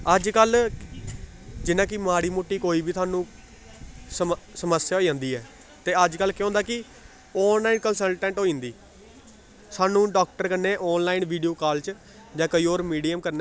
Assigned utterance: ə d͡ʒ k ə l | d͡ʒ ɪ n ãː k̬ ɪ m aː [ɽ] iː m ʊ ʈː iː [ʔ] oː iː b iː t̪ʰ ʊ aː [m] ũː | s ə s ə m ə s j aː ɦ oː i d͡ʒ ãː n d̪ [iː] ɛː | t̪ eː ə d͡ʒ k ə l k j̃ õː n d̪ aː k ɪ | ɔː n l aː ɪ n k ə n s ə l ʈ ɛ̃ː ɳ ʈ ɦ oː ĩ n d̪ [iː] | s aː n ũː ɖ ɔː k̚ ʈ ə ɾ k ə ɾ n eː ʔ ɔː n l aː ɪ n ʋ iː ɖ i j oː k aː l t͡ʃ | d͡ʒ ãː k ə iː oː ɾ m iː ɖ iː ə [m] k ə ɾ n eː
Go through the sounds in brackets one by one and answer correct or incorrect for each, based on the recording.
correct, incorrect, incorrect, correct, correct, correct

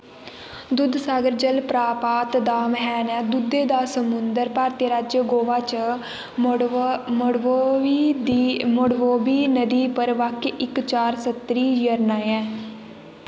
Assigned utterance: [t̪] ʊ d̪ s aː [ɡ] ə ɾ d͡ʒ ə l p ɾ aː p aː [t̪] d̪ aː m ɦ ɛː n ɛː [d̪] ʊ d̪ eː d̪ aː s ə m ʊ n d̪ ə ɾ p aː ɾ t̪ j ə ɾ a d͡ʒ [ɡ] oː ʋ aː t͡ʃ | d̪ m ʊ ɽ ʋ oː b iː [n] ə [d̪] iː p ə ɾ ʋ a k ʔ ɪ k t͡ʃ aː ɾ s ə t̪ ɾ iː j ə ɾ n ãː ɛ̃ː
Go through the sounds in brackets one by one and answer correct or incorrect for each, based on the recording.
incorrect, correct, correct, correct, correct, correct, correct

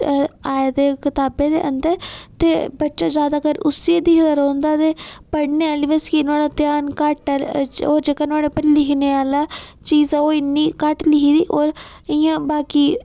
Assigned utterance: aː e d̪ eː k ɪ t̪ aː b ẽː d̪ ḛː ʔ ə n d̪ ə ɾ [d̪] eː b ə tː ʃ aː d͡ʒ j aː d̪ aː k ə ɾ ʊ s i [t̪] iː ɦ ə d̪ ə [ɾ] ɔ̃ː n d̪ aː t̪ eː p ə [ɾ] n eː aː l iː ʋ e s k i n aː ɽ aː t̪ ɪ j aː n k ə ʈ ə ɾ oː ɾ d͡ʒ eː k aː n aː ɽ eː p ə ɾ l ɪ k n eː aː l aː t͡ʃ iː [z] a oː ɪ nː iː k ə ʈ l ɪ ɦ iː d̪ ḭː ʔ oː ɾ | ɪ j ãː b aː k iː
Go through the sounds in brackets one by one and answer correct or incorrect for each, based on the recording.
incorrect, incorrect, correct, incorrect, correct

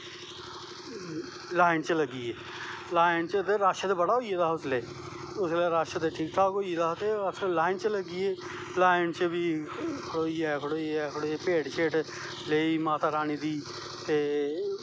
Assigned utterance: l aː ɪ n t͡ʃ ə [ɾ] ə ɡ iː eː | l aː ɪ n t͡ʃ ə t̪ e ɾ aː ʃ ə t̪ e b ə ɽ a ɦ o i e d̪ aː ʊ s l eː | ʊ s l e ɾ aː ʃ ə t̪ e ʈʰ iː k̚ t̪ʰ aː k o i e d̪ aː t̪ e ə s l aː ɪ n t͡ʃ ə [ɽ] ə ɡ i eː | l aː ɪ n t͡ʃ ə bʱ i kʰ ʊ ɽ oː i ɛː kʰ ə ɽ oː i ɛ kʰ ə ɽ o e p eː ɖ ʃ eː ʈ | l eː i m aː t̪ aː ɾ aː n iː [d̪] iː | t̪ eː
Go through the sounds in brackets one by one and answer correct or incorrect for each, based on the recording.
incorrect, incorrect, correct

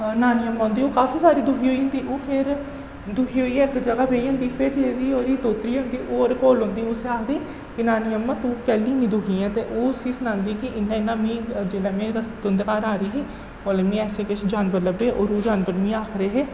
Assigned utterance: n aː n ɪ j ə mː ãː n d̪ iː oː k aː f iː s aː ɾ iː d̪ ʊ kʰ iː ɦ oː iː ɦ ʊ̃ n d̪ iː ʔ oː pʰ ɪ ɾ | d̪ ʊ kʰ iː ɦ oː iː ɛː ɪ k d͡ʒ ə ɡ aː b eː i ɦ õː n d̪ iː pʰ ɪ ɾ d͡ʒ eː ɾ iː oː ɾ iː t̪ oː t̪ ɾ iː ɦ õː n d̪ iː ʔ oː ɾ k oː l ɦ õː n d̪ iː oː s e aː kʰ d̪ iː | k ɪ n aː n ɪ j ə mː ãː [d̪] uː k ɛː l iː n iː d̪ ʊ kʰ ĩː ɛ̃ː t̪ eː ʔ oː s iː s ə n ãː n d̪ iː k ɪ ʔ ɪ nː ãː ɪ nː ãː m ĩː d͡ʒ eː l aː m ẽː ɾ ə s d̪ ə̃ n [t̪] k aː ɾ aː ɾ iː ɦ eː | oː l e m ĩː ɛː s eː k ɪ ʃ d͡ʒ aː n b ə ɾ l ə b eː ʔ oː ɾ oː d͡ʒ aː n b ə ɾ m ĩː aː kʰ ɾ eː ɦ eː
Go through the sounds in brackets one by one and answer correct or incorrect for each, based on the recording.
incorrect, incorrect

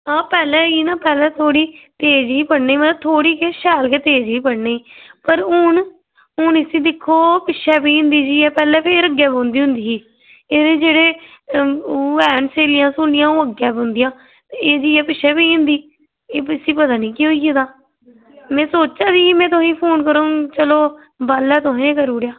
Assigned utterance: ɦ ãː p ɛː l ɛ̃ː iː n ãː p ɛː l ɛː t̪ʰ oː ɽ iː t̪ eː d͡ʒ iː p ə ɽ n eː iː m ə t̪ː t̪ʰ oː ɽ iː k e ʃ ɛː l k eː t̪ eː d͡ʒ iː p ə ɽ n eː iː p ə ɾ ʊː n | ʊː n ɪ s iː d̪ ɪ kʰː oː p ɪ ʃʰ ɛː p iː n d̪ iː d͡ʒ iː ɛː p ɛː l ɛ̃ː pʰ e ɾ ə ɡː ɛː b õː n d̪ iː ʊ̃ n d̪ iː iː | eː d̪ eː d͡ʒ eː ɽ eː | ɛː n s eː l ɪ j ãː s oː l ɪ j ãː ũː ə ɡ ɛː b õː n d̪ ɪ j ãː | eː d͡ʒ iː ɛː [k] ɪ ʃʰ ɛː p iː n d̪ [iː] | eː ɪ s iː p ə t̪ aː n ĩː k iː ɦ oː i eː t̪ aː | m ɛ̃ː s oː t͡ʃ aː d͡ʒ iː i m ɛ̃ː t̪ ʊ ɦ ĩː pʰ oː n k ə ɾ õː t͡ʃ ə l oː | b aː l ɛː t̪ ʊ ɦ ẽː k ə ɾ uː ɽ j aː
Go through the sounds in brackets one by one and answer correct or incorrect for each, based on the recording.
incorrect, correct

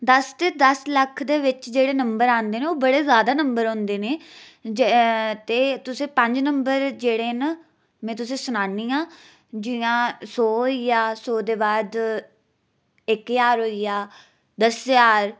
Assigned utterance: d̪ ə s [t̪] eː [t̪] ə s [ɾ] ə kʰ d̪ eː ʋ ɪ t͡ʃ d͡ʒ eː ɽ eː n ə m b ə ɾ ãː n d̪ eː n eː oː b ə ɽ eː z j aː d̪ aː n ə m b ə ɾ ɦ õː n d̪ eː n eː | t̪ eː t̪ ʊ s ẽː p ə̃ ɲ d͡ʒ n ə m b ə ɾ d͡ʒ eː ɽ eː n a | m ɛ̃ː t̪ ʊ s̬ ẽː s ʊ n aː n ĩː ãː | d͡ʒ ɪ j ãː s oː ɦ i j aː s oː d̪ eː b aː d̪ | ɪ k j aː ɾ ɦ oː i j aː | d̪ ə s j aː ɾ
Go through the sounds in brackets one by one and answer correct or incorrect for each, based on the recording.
correct, incorrect, incorrect

